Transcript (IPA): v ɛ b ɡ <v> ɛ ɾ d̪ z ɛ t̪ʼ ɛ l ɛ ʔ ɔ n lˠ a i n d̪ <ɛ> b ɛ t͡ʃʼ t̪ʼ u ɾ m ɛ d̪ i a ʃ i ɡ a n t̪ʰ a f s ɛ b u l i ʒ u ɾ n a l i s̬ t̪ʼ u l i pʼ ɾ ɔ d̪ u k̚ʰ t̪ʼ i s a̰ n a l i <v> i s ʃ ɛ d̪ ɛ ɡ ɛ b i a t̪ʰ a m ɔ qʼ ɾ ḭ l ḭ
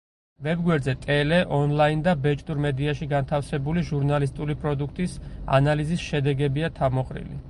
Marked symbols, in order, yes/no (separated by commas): no, no, no